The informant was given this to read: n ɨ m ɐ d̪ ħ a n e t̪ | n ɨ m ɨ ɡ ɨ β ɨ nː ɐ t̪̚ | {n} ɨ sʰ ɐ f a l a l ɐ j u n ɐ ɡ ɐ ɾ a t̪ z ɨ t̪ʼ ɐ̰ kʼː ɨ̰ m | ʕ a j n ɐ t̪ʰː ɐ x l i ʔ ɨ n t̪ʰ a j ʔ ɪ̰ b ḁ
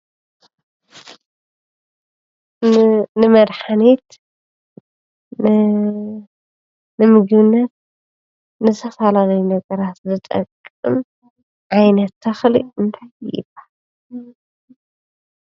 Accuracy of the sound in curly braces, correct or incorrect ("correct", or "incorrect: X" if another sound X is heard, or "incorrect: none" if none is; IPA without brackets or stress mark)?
correct